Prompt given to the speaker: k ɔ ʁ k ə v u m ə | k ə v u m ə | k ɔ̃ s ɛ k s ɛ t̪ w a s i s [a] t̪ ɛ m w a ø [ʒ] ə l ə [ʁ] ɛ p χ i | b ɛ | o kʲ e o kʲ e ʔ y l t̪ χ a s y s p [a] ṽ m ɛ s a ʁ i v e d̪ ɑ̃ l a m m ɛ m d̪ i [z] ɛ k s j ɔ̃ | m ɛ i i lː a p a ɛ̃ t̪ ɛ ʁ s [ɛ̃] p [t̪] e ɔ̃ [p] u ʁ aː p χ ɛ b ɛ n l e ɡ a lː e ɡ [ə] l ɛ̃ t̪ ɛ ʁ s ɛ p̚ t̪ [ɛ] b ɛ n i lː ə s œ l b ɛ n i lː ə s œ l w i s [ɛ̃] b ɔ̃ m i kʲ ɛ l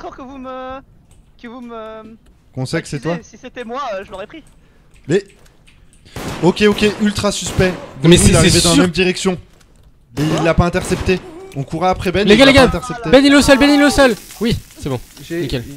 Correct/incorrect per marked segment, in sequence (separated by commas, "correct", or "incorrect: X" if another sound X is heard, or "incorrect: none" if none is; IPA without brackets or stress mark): incorrect: e, correct, correct, incorrect: ɛ, incorrect: ʁ, incorrect: ɛ, correct, incorrect: k, incorrect: a, incorrect: e, incorrect: ɛ